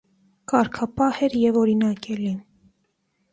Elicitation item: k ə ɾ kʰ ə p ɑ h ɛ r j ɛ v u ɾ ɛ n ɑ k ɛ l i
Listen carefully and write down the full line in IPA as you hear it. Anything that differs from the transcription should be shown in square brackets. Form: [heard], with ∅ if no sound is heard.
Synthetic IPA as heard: k [ɑ] ɾ kʰ [ɑ] p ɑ h ɛ [ɾ] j ɛ v [ɔ] ɾ [i] n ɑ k ɛ l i